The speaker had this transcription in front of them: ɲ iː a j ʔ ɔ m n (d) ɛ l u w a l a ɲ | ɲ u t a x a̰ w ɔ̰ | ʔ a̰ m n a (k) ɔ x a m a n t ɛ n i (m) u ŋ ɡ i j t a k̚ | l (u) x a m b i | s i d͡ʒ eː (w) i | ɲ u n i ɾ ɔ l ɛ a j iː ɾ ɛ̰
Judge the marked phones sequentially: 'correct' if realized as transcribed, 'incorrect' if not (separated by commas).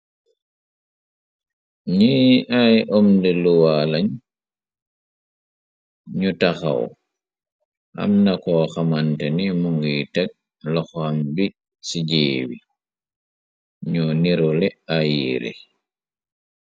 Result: correct, correct, correct, incorrect, correct